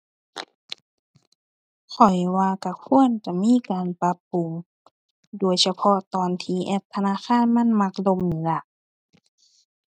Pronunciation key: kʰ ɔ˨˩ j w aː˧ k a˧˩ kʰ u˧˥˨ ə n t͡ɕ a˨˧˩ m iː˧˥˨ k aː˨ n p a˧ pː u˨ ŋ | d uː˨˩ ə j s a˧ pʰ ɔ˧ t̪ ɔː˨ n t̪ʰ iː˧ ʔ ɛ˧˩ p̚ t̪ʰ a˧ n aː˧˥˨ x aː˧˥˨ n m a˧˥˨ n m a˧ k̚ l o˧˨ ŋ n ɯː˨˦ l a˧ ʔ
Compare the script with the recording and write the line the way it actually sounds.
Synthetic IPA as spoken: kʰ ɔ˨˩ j w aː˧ k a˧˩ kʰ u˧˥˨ ə n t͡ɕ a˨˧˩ m iː˧˥˨ k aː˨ n p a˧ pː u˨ ŋ | d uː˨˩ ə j s a˧ pʰ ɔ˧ t̪ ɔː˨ n t̪ʰ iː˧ ʔ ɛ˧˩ p̚ t̪ʰ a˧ n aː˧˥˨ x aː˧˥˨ n m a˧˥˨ n m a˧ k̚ l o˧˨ m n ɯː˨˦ l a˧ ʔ